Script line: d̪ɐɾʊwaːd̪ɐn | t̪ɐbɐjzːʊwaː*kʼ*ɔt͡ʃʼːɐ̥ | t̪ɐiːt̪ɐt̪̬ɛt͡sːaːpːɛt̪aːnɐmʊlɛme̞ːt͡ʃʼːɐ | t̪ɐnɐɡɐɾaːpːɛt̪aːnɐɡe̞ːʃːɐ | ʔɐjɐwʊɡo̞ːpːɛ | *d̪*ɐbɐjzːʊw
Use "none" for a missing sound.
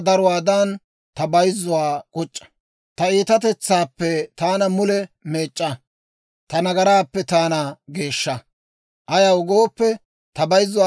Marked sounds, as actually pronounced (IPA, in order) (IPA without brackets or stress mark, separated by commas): kʼ, t̪